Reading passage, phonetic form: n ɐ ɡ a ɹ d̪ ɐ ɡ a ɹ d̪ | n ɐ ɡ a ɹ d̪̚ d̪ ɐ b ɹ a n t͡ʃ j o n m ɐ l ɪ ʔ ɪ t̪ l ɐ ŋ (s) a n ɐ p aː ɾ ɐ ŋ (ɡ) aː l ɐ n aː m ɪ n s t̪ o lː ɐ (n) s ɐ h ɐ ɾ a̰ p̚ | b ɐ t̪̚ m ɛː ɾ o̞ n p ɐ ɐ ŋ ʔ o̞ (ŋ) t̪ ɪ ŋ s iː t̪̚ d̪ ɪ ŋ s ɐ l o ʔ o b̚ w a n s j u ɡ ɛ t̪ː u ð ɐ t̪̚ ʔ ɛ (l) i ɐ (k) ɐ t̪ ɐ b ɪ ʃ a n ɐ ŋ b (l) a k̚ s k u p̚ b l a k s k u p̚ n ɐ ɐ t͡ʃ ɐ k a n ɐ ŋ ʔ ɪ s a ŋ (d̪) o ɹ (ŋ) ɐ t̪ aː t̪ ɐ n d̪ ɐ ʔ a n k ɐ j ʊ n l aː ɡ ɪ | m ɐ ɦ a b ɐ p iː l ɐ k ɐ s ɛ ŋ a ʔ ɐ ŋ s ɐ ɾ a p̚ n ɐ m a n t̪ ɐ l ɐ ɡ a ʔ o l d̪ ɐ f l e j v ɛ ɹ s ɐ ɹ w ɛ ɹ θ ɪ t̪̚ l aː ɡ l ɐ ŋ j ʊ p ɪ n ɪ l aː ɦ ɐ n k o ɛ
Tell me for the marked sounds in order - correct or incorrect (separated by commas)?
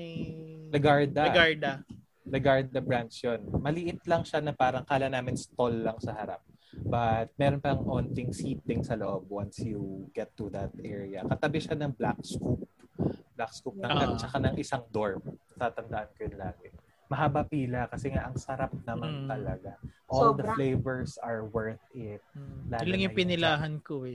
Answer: incorrect, incorrect, incorrect, incorrect, incorrect, correct, correct, correct, incorrect